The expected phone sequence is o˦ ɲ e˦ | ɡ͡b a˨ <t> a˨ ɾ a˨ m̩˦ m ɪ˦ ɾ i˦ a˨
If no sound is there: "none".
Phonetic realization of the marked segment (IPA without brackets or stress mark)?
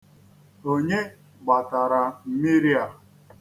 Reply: t